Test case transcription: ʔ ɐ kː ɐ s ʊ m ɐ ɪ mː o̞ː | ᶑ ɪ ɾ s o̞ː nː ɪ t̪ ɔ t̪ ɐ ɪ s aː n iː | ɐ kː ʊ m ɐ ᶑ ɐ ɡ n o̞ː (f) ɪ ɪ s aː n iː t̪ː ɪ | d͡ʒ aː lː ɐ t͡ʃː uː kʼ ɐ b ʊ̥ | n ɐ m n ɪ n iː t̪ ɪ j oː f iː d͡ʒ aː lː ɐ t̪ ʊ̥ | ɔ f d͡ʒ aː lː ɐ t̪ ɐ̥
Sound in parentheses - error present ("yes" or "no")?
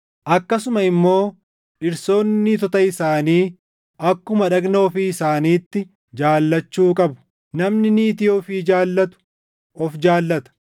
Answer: no